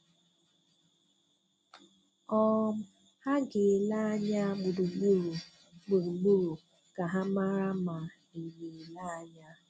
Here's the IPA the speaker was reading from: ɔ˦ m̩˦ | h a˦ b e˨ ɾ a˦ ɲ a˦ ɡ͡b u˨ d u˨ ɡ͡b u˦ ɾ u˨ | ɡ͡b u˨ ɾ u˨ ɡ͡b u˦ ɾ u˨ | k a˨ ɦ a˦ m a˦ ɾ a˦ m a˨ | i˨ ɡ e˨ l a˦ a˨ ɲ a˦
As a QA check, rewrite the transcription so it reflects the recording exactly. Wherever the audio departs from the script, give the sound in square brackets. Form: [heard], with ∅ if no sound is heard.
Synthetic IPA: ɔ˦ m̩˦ | h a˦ [ɡ] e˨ [l] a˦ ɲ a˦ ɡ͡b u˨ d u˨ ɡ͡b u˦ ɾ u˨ | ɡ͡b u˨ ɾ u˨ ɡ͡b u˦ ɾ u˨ | k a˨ ɦ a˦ m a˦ ɾ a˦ m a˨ | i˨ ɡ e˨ l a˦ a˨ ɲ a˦